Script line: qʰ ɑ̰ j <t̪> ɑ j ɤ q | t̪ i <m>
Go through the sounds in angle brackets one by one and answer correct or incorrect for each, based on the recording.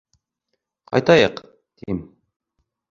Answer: correct, correct

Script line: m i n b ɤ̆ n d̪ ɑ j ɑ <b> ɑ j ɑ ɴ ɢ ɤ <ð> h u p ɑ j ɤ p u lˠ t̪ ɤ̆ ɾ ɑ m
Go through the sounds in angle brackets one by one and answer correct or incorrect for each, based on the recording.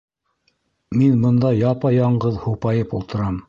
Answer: incorrect, correct

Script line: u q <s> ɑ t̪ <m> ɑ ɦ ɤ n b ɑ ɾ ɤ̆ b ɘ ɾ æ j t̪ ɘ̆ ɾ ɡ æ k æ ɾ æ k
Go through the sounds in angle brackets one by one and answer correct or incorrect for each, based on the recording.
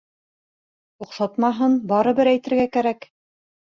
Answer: correct, correct

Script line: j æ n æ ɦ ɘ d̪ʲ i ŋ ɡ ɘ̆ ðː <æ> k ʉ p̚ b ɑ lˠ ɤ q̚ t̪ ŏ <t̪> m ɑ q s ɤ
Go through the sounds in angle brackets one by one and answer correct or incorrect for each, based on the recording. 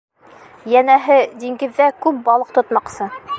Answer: correct, correct

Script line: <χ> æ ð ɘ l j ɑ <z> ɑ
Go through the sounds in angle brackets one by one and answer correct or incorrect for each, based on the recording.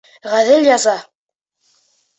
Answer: incorrect, correct

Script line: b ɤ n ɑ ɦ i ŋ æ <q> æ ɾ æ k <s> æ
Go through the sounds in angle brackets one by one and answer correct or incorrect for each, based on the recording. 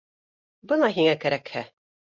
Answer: incorrect, incorrect

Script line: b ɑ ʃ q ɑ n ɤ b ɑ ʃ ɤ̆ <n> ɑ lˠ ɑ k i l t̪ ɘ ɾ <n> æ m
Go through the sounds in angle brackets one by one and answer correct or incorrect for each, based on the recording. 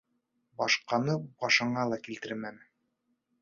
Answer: incorrect, incorrect

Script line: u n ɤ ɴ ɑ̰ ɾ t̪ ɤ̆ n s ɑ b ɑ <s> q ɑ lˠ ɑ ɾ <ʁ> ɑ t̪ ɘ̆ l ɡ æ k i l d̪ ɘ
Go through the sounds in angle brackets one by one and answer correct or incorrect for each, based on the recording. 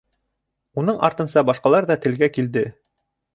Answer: incorrect, incorrect

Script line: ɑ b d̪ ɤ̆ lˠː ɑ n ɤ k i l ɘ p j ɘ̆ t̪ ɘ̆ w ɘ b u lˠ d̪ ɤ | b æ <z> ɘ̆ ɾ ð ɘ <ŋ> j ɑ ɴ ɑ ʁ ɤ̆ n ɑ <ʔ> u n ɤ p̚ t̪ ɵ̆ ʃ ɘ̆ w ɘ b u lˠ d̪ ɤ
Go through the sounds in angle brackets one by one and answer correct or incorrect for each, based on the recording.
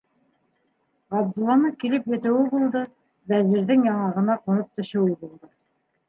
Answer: correct, correct, incorrect

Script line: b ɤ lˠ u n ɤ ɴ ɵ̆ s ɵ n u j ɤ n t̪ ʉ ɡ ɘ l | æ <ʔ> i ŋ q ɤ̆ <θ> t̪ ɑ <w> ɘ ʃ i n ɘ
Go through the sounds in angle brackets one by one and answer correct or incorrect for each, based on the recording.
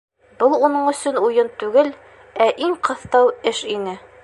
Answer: correct, correct, correct

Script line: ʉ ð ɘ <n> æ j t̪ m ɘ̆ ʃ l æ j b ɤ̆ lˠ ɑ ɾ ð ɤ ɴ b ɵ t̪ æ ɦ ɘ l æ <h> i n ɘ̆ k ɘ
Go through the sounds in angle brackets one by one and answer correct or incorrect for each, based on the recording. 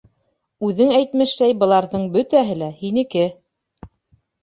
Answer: incorrect, correct

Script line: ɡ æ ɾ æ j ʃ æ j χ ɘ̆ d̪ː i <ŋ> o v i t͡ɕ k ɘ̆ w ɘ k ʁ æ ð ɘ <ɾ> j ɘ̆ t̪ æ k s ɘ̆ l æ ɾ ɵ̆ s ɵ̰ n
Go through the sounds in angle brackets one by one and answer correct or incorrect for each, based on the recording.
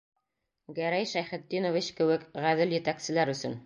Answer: incorrect, incorrect

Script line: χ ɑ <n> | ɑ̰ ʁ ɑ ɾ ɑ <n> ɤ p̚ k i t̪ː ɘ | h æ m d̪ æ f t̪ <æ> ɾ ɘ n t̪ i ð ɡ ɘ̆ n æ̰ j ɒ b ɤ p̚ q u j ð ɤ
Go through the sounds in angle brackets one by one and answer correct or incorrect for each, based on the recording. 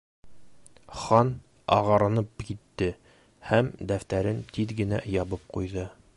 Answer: correct, correct, correct

